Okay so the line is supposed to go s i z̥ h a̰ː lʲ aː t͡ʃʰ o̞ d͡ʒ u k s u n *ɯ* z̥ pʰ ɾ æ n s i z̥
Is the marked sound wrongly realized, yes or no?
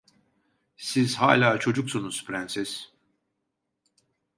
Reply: yes